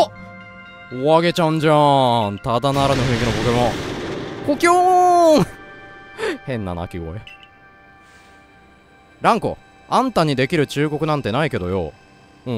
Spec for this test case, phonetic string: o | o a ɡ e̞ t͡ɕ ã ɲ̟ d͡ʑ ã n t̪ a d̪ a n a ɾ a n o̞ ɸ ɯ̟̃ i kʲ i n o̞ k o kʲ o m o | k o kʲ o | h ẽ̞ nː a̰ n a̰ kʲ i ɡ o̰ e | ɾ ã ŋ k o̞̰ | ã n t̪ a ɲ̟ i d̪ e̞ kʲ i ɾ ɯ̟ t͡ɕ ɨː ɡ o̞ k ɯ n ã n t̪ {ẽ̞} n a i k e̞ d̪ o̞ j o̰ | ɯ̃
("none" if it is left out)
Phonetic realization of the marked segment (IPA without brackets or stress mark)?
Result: e̞